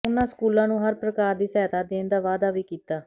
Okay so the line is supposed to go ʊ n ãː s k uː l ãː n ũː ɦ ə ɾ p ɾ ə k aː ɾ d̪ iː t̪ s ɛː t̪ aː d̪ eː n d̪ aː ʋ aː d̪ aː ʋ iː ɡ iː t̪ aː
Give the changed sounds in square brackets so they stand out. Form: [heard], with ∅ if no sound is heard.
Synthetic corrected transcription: ʊ n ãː s k uː l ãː n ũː ɦ ə ɾ p ɾ ə k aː ɾ d̪ iː [∅] s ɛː t̪ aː d̪ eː n d̪ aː ʋ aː d̪ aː ʋ iː [k] iː t̪ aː